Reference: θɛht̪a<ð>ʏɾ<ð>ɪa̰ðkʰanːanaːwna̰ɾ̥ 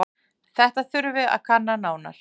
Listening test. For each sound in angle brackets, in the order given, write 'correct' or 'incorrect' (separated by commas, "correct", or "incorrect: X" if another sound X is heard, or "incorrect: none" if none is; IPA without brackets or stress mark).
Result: incorrect: θ, incorrect: v